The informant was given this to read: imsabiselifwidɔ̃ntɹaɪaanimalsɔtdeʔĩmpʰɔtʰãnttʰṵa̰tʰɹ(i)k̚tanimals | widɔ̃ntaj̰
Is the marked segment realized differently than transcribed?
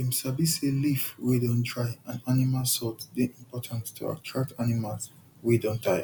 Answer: yes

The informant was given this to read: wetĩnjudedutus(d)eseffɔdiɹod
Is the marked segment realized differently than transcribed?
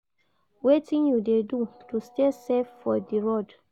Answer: yes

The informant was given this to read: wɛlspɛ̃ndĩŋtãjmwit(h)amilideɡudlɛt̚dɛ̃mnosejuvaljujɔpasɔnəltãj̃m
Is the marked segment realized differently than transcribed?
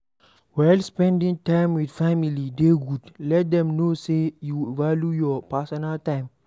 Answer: yes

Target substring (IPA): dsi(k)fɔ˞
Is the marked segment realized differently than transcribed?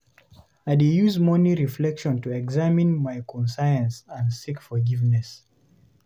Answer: no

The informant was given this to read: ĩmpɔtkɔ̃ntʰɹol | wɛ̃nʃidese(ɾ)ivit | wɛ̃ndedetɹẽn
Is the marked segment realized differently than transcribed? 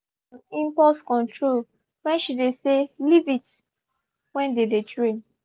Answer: yes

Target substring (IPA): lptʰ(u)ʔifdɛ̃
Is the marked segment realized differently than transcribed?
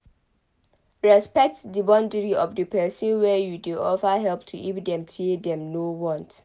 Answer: no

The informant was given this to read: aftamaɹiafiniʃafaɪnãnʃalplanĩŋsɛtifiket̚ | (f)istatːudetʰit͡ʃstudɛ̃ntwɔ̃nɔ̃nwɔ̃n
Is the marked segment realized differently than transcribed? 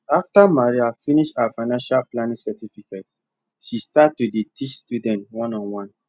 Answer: yes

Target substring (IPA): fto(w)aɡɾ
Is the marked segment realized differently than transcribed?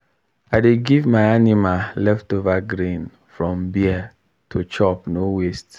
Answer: yes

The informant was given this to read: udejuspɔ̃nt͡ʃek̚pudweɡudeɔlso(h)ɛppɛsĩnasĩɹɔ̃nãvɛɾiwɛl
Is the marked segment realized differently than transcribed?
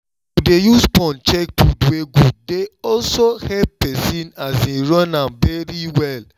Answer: no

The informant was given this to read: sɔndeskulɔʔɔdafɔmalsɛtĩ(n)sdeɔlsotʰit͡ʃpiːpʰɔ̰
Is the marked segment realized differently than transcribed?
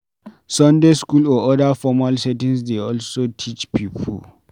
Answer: no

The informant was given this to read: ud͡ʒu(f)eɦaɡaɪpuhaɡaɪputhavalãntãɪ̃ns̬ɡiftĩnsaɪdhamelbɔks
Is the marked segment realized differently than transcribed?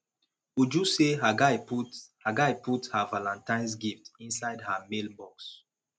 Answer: yes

